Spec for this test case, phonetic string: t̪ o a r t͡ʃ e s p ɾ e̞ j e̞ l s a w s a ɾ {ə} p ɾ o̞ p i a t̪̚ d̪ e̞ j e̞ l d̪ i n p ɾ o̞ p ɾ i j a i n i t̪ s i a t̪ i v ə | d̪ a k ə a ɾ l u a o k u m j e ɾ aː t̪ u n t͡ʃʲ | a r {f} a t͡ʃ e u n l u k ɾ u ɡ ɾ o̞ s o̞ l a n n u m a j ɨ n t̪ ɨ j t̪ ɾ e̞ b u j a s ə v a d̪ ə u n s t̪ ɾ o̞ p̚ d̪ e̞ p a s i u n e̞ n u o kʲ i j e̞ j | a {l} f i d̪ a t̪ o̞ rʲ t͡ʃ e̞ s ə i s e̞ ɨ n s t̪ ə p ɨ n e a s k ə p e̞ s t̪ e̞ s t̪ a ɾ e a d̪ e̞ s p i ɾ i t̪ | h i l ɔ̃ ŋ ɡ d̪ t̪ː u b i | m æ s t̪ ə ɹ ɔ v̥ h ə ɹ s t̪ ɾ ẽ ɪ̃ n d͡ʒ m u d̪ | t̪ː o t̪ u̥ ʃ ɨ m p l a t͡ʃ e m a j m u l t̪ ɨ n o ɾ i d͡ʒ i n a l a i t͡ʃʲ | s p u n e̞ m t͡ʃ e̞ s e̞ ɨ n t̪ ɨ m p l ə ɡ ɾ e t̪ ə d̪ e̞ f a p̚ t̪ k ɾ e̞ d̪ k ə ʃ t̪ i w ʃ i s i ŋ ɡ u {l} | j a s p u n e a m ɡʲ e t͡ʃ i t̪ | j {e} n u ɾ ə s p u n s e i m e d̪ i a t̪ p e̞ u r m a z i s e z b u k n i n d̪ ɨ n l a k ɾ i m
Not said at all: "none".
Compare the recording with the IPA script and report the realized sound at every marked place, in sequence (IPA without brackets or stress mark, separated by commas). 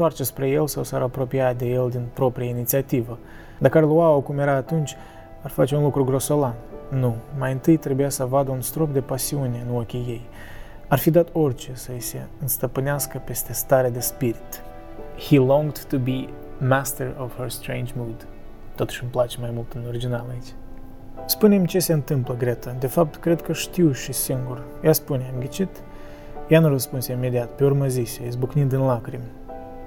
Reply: a, f, r, r, a